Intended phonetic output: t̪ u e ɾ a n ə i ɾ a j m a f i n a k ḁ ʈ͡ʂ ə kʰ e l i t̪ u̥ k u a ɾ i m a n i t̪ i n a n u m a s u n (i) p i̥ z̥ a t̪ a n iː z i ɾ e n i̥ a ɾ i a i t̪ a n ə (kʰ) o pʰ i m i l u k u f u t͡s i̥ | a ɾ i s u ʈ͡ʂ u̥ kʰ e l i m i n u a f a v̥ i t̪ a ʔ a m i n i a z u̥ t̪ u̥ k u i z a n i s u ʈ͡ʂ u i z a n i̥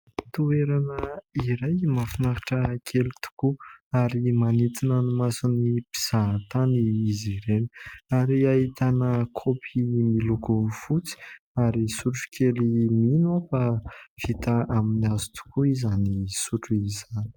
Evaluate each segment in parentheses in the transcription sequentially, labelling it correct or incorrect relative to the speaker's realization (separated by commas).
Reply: correct, correct